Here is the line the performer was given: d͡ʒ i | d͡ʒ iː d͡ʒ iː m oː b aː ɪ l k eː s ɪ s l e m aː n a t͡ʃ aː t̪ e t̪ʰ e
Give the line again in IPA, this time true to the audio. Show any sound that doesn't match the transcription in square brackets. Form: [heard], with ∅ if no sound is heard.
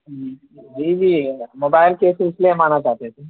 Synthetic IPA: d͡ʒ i | d͡ʒ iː d͡ʒ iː m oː b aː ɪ l k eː s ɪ s l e m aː n a t͡ʃ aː t̪ e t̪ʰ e

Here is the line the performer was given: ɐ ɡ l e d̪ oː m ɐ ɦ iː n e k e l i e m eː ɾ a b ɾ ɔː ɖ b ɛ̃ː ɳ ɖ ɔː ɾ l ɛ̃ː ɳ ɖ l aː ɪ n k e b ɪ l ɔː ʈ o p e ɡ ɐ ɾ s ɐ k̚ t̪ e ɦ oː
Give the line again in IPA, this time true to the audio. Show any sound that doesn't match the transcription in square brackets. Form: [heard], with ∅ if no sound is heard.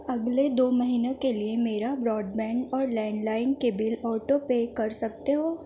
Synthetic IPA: ɐ ɡ l e d̪ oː m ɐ ɦ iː n e k e l i e m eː ɾ a b ɾ ɔː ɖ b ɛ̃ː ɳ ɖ ɔː ɾ l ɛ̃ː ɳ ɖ l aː ɪ n k e b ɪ l ɔː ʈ o p e [k] ɐ ɾ s ɐ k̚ t̪ e ɦ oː

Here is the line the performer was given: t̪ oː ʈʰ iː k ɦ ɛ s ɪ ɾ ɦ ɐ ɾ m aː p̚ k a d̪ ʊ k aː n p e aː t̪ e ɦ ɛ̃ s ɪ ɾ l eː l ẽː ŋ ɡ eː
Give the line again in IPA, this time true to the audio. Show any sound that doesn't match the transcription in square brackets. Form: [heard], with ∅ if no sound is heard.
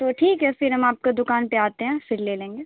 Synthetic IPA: t̪ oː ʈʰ iː k ɦ ɛ [f] ɪ ɾ ɦ ɐ [∅] m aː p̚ k a d̪ ʊ k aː n p e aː t̪ e ɦ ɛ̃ [f] ɪ ɾ l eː l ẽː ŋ ɡ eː

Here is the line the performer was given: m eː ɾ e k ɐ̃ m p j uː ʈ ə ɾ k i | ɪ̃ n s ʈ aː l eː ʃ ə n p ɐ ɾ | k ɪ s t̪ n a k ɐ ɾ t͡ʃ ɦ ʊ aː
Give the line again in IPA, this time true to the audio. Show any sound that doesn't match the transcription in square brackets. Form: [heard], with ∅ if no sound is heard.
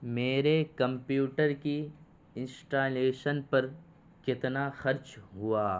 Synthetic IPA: m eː ɾ e k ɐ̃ m p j uː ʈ ə ɾ k i | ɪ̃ n s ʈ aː l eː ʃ ə n p ɐ ɾ | k ɪ [∅] t̪ n a [x] ɐ ɾ t͡ʃ ɦ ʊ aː

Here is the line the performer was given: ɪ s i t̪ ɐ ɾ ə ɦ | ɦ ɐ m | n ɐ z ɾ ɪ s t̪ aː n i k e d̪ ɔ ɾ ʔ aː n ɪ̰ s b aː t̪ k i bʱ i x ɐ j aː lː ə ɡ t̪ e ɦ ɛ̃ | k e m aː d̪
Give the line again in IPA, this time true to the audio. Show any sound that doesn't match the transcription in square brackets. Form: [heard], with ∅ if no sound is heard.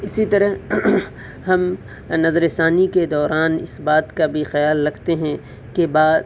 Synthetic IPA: ɪ s i t̪ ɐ ɾ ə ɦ | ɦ ɐ m | n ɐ z ɾ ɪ s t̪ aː n i k e d̪ [ɔː] ɾ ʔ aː n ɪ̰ s b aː t̪ k [a] bʱ i x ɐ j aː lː [ɐ] ɡ t̪ e ɦ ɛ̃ | k e [b] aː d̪

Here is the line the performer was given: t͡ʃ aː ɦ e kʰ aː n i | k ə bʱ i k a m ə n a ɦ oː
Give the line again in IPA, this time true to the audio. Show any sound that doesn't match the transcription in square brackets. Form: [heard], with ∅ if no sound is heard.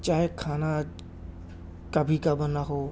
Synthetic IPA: t͡ʃ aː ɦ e kʰ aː n [a] | k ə bʱ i k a [b] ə n a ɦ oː

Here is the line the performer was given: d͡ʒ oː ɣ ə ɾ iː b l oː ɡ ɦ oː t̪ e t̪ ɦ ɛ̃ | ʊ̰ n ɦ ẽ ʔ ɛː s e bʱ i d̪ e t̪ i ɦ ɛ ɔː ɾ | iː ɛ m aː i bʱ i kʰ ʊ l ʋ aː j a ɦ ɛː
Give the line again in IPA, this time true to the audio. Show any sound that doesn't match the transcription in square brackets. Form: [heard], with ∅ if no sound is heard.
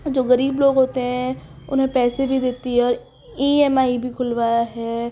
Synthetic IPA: d͡ʒ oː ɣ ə ɾ iː b l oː ɡ ɦ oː t̪ e [∅] ɦ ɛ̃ | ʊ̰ n ɦ ẽ [p] ɛː s e bʱ i d̪ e t̪ i ɦ ɛ ɔː ɾ | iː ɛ m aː i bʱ i kʰ ʊ l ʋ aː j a ɦ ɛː

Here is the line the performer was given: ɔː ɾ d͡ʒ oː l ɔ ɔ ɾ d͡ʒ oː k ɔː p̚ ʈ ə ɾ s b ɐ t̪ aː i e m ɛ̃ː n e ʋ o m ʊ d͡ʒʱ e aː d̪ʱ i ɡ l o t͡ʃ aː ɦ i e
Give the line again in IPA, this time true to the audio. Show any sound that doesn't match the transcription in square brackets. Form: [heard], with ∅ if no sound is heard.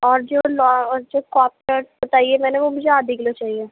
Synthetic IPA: ɔː ɾ d͡ʒ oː l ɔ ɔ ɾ d͡ʒ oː k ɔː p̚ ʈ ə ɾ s b ɐ t̪ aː i e m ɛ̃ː n e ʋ o m ʊ d͡ʒʱ e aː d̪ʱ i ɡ l o t͡ʃ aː ɦ i e

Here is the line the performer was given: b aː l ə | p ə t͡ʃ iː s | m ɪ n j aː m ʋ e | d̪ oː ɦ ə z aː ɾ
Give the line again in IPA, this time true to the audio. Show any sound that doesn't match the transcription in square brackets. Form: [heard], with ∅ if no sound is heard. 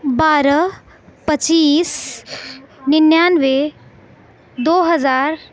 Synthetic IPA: b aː [ɾ] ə | p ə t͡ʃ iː s | [n] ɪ n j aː [n] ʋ e | d̪ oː ɦ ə z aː ɾ

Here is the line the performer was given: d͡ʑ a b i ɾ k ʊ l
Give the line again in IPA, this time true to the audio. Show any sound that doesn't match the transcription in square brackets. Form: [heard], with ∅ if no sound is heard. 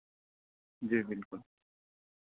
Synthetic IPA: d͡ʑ [i] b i [l] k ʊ l

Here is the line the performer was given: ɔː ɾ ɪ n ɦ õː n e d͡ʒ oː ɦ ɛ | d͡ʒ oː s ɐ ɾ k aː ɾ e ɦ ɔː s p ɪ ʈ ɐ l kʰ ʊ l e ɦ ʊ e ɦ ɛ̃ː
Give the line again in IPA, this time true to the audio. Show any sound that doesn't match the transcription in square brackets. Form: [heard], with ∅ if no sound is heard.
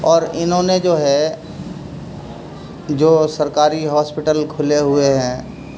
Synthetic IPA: ɔː ɾ ɪ n ɦ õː n e d͡ʒ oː ɦ ɛ | d͡ʒ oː s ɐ ɾ k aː ɾ [i] ɦ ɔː s p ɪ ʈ [ə] l kʰ ʊ l e ɦ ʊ e ɦ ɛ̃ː

